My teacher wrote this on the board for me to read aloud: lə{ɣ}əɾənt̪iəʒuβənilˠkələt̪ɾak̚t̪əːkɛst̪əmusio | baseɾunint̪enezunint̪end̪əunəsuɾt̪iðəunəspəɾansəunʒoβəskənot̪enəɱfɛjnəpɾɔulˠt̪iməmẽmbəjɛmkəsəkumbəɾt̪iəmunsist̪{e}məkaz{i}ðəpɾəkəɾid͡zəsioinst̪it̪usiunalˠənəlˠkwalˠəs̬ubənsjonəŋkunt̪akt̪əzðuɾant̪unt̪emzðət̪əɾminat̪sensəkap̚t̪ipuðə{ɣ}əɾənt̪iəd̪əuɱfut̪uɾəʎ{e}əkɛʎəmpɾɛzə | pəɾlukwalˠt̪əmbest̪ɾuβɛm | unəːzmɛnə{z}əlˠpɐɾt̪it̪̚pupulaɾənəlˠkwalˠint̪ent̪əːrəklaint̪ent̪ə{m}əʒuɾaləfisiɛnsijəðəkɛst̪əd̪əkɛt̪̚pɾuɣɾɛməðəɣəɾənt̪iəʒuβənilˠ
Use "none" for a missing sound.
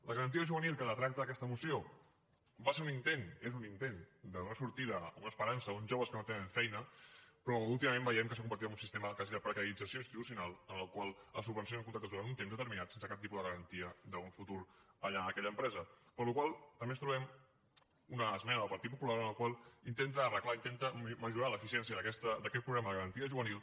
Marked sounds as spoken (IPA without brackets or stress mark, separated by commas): ɣ, e, i, ɣ, a, ð, m